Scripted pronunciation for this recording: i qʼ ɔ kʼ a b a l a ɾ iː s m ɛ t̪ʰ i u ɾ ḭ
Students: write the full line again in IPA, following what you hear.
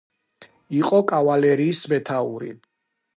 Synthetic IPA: i qʼ ɔ kʼ a v a l ɛ ɾ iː s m ɛ t̪ʰ a u ɾ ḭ